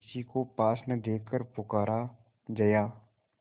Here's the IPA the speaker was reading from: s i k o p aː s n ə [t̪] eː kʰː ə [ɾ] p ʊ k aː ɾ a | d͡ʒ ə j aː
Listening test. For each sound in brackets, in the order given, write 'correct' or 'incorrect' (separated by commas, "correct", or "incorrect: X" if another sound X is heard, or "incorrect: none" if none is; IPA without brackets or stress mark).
incorrect: d̪, correct